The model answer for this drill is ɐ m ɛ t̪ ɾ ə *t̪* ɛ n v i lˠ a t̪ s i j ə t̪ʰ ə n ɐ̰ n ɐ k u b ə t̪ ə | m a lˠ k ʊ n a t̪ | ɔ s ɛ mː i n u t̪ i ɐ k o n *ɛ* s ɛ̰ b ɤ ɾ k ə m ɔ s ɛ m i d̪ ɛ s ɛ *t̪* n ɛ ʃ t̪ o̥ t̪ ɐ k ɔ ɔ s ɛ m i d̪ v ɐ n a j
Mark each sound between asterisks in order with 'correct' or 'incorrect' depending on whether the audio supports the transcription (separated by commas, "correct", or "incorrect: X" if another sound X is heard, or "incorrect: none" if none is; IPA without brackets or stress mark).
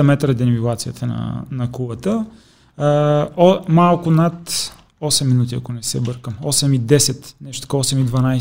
incorrect: d̪, correct, correct